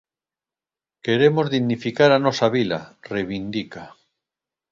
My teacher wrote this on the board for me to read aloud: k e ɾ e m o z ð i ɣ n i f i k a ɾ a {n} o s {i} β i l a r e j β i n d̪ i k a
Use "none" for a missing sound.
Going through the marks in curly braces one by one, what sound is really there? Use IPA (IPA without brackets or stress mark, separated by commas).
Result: n, a